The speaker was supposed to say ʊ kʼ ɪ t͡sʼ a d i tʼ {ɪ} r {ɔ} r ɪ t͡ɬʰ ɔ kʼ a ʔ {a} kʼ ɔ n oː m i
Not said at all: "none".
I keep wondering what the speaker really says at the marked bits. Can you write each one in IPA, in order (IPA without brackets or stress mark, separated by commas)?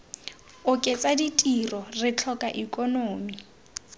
i, ɔ, i